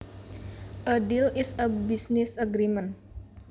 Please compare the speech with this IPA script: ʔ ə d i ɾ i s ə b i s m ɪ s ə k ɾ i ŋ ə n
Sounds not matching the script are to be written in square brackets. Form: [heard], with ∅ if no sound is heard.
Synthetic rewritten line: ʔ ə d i [l] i s ə b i s [n] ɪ s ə [ɡ] ɾ i [m] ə n